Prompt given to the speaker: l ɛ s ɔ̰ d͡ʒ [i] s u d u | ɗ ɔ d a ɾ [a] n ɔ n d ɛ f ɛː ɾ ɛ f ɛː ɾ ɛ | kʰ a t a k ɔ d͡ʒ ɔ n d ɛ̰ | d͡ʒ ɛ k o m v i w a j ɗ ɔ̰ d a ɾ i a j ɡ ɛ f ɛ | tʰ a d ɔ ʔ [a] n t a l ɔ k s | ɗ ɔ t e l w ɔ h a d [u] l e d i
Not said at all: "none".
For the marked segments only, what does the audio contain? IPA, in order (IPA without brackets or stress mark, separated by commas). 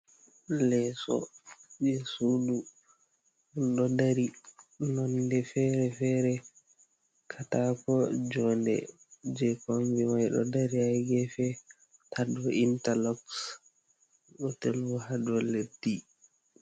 ɛ, i, i, ɔ